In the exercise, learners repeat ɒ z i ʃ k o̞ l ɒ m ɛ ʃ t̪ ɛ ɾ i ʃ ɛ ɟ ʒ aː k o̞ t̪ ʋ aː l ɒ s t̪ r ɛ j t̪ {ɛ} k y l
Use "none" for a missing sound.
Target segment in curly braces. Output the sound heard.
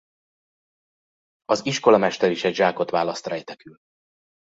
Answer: ɛ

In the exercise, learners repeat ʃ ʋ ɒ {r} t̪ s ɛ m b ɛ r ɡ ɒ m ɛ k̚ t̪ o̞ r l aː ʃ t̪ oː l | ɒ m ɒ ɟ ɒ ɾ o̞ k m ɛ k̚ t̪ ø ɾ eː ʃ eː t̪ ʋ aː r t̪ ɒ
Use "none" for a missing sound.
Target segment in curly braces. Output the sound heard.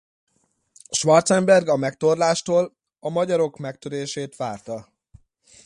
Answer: r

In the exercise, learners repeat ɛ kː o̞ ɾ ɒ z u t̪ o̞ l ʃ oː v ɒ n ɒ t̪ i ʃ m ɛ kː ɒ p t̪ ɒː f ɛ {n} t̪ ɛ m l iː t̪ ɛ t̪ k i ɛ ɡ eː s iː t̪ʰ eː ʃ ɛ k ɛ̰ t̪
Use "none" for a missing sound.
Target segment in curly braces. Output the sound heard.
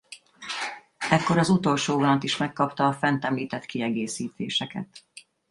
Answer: n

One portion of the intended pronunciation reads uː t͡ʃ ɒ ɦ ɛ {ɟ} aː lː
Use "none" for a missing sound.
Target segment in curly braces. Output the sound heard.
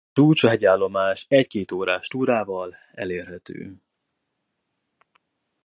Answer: ɟ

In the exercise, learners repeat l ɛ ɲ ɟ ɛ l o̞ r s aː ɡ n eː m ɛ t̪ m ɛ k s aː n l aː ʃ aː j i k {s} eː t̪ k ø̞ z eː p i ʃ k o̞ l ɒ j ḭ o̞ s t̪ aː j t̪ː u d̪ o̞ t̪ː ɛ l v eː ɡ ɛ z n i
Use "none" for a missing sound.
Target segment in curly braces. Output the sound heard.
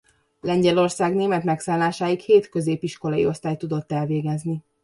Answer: h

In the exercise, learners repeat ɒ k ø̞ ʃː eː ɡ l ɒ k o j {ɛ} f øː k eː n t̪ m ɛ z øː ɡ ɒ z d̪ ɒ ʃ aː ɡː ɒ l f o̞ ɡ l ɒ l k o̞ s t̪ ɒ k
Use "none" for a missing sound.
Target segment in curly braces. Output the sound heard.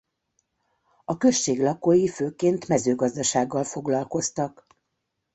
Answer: i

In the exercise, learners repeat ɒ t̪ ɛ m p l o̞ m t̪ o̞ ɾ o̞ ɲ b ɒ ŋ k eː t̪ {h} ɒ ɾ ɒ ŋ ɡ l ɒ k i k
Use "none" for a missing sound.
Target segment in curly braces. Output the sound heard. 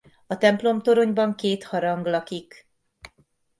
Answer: h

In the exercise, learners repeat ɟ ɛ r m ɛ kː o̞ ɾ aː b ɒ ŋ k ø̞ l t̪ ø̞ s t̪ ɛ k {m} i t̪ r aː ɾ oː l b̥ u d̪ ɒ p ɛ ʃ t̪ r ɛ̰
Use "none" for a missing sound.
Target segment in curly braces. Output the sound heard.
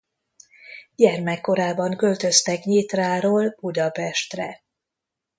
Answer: ɲ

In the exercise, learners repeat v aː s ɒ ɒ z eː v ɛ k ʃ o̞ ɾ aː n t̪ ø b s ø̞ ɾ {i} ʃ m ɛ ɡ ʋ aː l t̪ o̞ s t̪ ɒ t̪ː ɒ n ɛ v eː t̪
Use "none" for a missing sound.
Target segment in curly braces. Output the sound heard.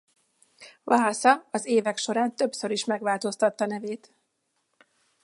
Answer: i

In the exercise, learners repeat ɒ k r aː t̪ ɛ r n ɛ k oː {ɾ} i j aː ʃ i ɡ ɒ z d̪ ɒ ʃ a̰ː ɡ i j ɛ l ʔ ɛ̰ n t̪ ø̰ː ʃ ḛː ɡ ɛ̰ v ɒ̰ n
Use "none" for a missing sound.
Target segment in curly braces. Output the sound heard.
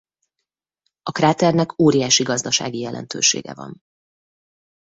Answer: ɾ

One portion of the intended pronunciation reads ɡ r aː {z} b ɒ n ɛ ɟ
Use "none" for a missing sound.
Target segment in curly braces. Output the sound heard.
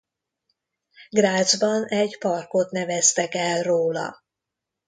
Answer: z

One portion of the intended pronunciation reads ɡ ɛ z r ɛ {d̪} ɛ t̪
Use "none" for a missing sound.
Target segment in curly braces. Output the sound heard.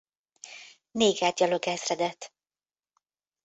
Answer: d̪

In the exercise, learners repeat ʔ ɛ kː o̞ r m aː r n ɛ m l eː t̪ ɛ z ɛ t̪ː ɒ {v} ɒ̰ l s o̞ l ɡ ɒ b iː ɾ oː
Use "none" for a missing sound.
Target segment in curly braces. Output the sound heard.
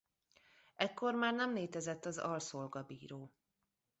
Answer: z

